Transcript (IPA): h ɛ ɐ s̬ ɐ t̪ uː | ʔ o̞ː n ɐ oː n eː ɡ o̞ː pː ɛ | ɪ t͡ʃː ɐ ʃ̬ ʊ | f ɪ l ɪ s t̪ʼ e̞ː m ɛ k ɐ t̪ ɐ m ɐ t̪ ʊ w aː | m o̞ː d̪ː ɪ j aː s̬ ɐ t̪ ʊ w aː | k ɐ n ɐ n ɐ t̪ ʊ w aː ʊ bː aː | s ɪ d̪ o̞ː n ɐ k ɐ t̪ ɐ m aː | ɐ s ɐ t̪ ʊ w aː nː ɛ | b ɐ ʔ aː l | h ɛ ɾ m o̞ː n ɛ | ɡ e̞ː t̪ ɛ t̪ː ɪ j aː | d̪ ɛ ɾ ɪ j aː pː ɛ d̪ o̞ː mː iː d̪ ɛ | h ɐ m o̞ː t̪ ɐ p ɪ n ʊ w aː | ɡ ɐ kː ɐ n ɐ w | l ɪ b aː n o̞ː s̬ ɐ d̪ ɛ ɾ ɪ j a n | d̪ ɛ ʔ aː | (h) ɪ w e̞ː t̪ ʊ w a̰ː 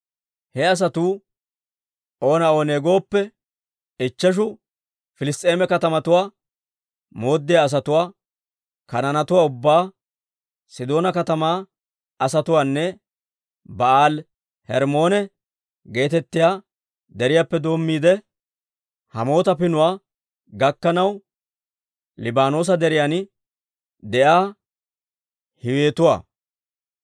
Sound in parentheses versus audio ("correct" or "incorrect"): correct